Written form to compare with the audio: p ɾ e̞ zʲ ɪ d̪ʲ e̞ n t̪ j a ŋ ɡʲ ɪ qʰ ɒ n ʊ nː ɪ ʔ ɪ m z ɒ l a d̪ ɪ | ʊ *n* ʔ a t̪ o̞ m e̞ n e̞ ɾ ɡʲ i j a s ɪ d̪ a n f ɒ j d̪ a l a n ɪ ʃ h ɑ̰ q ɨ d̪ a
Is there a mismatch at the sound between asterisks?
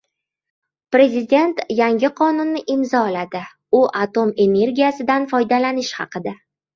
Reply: yes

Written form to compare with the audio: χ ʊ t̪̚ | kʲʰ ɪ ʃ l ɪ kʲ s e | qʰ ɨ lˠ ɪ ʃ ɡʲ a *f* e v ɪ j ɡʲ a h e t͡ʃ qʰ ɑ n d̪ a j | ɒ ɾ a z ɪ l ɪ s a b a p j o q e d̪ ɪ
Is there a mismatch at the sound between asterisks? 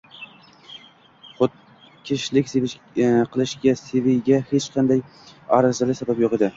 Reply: yes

